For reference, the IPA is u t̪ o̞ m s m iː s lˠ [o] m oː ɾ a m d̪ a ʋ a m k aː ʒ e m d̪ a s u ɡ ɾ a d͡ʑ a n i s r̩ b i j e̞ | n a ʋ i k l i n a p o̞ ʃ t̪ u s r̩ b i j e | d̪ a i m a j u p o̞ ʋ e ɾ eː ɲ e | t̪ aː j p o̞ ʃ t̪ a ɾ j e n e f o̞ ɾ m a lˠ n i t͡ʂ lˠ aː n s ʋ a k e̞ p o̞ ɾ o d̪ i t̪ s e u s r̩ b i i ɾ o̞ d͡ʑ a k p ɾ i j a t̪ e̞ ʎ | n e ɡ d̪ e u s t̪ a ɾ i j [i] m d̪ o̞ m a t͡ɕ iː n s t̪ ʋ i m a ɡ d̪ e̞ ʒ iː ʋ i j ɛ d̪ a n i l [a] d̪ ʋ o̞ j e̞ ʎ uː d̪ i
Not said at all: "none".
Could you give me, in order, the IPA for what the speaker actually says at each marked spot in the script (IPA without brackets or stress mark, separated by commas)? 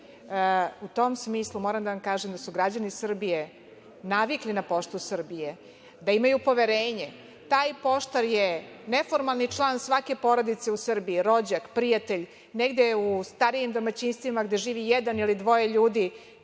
u, i, i